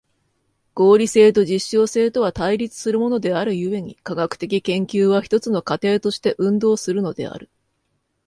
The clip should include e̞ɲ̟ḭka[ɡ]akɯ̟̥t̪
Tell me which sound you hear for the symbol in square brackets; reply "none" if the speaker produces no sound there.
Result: ɡ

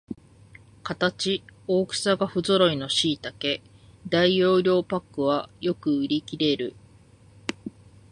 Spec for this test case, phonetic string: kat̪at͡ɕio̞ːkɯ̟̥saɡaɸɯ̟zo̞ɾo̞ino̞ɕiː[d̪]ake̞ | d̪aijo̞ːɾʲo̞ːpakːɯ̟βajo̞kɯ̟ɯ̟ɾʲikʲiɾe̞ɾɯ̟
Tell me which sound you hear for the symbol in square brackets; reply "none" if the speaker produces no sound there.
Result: t̪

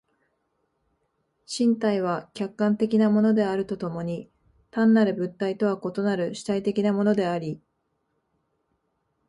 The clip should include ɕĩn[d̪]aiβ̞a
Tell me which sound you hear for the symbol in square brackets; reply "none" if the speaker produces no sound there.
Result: t̪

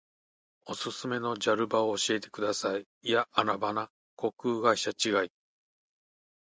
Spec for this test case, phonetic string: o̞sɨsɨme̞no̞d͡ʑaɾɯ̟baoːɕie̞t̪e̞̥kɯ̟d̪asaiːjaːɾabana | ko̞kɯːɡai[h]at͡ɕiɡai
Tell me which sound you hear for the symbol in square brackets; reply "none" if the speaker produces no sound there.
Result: ɕ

